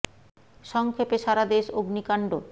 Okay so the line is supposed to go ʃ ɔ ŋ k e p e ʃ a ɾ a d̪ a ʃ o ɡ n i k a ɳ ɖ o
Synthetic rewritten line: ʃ ɔ ŋ kʰ e p e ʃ a ɾ a d̪ e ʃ o ɡ n i k a ɳ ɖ o